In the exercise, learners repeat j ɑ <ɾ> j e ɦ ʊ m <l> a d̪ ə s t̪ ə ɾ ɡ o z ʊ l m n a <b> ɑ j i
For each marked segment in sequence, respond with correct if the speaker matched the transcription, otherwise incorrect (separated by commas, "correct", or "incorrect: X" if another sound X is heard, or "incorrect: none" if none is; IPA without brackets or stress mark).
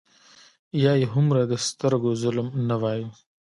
incorrect: none, incorrect: ɾ, incorrect: w